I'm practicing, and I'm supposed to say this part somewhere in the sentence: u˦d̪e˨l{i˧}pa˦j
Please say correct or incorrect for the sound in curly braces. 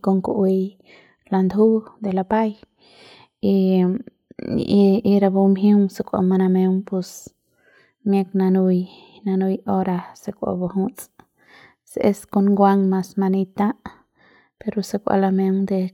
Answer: incorrect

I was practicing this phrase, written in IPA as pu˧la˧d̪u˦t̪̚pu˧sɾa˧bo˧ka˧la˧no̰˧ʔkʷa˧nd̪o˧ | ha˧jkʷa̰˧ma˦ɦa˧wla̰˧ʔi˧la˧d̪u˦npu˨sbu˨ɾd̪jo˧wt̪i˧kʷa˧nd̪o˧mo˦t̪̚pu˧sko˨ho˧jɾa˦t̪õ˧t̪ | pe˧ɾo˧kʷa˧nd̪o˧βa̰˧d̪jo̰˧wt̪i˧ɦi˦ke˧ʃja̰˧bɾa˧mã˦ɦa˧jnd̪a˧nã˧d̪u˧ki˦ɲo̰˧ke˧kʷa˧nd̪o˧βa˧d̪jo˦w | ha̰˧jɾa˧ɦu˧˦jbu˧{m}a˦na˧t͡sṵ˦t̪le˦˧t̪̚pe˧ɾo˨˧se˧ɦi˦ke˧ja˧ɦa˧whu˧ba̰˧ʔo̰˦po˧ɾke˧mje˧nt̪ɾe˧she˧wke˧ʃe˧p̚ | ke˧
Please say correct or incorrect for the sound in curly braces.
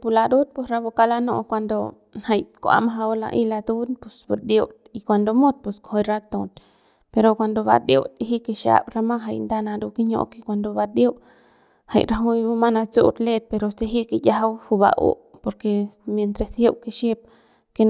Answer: correct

